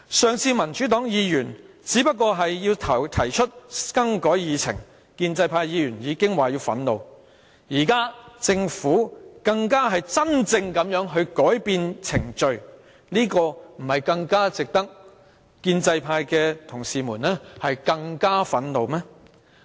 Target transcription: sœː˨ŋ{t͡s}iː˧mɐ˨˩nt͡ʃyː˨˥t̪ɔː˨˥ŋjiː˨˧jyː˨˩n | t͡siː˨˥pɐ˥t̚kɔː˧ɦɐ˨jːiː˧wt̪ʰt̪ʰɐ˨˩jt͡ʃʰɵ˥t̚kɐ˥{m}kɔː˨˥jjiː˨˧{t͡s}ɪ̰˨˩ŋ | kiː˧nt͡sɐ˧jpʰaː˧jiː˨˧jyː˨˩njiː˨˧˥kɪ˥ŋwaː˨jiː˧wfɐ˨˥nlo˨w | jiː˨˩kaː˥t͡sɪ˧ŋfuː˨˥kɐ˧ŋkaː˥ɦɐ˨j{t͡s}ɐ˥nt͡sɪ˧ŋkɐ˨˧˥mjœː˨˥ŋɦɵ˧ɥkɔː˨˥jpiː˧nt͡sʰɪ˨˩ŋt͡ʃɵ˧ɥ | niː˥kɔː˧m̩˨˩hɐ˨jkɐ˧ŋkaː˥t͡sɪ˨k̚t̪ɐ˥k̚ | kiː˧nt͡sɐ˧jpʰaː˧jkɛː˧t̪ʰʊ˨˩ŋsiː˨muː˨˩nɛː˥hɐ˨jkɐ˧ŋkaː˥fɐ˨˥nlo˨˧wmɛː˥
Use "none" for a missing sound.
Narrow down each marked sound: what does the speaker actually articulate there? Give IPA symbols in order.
t͡sʰ, ŋ, t͡sʰ, t͡s

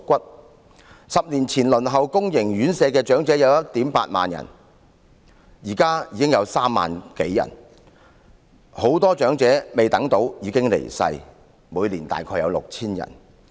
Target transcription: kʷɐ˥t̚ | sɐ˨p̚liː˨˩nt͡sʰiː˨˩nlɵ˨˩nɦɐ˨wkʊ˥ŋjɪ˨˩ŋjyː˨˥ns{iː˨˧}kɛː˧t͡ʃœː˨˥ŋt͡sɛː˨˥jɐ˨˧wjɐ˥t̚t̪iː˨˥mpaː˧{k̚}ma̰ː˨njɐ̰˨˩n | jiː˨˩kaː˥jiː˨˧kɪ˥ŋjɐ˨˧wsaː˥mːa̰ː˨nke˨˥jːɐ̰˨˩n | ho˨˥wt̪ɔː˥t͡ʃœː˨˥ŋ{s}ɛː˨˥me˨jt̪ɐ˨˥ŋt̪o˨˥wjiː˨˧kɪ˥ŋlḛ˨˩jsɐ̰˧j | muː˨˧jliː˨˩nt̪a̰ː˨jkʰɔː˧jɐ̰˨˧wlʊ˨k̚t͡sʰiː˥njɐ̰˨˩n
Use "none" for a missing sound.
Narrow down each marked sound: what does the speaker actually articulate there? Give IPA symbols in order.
ɛː˨˧, t̚, t͡s

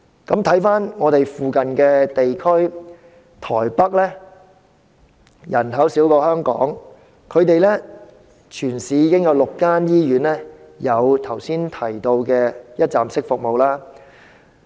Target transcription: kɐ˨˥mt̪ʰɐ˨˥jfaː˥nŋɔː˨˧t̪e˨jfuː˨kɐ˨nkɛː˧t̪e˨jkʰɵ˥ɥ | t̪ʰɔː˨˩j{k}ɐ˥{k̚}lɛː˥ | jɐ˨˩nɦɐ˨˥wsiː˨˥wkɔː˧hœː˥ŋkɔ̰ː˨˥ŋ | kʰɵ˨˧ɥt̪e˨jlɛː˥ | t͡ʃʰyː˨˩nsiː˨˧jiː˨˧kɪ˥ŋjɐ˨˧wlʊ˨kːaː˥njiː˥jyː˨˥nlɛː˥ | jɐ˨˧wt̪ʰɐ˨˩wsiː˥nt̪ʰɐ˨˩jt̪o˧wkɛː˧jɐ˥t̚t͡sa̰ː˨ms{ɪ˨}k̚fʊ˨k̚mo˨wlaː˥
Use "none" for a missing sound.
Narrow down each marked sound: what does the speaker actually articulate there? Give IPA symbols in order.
p, k̚, ɪ˥

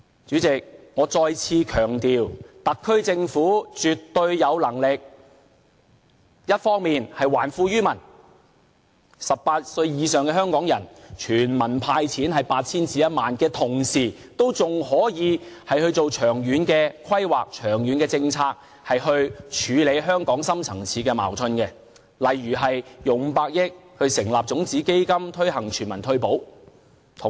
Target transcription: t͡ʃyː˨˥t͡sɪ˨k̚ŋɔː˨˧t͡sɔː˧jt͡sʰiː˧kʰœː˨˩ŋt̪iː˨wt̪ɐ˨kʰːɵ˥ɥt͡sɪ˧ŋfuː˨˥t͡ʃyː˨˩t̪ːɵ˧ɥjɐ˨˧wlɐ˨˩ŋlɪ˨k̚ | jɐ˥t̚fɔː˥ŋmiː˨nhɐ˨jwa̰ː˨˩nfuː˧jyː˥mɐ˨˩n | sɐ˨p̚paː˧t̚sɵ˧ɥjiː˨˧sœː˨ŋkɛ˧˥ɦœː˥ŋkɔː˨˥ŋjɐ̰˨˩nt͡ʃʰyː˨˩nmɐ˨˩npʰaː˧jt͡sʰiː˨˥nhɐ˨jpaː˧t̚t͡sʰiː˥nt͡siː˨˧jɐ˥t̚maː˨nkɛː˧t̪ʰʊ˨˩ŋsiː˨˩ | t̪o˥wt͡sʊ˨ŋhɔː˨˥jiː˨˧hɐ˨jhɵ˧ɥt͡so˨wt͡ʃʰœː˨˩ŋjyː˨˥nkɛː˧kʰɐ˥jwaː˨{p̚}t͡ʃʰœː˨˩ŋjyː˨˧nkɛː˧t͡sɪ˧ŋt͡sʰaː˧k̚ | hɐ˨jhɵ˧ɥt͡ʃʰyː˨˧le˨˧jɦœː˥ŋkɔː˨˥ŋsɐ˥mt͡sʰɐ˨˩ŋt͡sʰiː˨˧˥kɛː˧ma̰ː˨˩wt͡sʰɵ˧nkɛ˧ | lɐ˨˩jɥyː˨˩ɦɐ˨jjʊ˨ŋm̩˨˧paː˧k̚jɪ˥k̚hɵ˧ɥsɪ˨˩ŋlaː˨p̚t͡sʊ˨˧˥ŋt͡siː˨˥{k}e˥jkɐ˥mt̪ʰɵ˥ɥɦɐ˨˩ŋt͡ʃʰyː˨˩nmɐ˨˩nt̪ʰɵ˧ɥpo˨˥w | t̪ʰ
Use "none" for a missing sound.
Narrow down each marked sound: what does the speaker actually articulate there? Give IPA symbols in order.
k̚, k

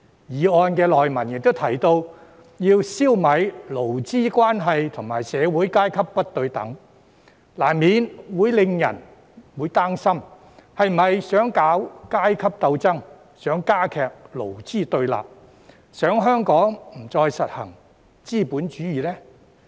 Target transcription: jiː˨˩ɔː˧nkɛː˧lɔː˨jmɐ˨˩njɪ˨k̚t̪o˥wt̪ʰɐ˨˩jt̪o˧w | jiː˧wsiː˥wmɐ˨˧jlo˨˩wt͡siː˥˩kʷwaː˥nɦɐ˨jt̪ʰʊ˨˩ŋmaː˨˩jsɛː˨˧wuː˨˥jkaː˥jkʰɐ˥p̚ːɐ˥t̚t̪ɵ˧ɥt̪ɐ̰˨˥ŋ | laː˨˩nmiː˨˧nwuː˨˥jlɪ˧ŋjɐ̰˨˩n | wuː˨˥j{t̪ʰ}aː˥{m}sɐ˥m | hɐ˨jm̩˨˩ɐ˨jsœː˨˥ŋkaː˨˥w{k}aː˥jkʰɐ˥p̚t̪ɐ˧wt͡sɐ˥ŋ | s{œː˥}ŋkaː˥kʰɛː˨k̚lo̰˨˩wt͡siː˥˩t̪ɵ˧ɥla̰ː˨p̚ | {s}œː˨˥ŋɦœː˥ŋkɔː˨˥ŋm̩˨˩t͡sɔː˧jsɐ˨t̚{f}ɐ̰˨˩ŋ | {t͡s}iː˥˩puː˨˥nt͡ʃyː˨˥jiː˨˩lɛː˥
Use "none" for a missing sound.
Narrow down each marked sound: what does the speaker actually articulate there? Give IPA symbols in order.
t̪, ŋ, k, œː˨˥, s, h, t͡s

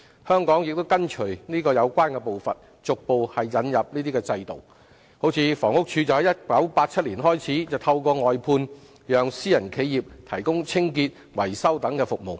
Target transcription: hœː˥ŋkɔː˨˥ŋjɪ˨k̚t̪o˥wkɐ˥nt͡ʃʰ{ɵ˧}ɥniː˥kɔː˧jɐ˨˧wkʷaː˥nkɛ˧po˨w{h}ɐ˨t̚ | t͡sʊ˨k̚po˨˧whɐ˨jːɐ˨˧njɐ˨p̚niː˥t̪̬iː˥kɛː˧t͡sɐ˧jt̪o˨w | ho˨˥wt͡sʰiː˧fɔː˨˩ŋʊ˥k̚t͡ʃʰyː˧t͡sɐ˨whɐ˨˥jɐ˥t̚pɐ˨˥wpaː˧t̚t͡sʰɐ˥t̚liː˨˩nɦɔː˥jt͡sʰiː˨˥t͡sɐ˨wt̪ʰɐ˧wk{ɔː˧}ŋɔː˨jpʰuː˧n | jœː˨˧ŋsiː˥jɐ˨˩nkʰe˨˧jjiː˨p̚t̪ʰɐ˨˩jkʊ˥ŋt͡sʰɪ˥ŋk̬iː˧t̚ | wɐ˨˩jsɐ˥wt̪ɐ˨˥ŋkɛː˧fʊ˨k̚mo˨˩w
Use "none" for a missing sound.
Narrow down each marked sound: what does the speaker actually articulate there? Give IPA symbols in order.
ɵ˨˩, f, ɔː˧

